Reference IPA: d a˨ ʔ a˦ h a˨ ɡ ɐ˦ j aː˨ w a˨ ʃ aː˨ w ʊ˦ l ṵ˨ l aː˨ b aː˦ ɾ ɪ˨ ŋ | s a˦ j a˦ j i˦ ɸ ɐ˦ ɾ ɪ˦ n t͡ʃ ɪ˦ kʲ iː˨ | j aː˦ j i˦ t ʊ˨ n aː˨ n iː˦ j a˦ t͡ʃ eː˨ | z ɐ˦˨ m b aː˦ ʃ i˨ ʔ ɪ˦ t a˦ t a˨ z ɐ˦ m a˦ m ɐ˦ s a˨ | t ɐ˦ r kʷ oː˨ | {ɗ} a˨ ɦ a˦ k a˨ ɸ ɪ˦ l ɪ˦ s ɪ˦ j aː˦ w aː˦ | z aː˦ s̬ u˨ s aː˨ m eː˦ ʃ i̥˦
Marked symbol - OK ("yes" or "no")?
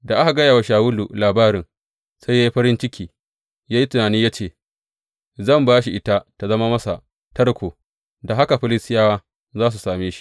no